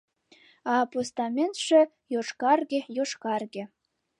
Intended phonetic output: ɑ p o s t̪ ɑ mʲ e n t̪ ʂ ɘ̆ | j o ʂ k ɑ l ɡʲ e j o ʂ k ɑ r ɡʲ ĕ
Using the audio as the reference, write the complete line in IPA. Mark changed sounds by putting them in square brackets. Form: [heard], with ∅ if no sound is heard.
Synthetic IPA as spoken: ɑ p o s t̪ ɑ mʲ e n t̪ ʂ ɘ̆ | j o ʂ k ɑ [r] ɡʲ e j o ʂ k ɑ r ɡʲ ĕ